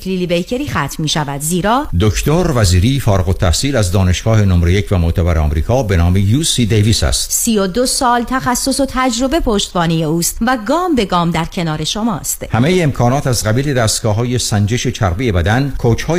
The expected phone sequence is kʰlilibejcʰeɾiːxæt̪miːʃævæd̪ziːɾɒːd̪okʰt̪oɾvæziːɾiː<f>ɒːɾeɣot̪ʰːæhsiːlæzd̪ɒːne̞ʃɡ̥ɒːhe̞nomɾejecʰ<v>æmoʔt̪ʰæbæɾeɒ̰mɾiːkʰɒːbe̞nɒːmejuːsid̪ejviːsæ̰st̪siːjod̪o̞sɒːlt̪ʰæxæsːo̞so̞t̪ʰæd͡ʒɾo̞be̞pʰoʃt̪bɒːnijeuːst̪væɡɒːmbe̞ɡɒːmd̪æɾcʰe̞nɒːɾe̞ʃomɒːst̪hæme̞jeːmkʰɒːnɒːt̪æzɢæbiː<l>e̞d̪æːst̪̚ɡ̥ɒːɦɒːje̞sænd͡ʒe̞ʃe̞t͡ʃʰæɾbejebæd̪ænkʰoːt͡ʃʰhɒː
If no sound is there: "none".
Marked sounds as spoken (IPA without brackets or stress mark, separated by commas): f, v, l